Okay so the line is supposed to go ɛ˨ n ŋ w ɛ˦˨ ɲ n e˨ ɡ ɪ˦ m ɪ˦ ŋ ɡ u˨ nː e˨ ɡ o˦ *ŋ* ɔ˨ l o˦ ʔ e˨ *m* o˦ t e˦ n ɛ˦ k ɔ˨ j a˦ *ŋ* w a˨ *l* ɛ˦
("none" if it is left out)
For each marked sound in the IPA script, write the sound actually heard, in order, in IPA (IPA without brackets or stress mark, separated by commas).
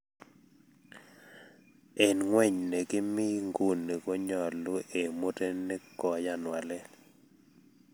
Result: ɲ, m, n, l